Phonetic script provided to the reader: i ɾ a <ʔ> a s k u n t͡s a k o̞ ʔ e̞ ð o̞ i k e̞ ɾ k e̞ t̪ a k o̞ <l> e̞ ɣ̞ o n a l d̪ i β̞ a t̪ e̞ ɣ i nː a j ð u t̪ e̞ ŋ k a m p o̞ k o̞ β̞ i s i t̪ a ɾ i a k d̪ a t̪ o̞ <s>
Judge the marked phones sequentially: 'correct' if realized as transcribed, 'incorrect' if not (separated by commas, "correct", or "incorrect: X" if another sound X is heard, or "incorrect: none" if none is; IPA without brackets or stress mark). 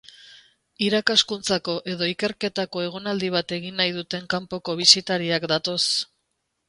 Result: incorrect: k, incorrect: none, correct